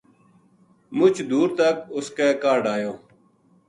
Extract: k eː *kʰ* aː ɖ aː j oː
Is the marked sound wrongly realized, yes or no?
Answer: yes